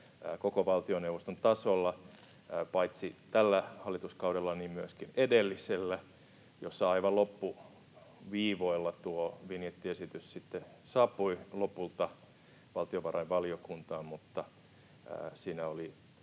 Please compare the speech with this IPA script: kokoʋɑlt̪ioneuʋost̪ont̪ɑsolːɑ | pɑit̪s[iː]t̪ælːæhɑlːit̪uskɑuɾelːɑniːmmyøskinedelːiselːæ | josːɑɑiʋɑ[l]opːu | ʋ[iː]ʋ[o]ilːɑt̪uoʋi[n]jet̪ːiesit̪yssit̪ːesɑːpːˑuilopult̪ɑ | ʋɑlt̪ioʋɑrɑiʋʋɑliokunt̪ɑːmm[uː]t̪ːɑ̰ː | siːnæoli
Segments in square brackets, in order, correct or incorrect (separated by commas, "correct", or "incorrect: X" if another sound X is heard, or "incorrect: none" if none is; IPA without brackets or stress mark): incorrect: i, correct, correct, correct, correct, incorrect: u